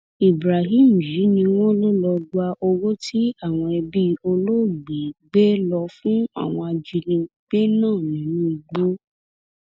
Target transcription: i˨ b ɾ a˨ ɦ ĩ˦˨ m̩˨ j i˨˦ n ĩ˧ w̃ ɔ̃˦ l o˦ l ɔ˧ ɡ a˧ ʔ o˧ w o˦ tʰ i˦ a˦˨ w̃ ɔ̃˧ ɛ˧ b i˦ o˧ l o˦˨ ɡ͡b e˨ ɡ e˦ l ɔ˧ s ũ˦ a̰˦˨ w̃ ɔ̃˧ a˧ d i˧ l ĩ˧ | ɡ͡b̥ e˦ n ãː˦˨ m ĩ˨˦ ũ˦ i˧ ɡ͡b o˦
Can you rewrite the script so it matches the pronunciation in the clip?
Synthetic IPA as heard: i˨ b ɾ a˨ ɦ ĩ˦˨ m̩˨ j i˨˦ n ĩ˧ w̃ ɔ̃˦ l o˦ l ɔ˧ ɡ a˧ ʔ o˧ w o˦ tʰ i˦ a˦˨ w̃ ɔ̃˧ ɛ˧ b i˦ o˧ l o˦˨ ɡ͡b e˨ ɡ͡b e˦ l ɔ˧ f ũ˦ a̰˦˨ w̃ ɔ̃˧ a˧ d͡ʒ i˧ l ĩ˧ | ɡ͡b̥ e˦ n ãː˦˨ n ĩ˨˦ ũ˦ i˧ ɡ͡b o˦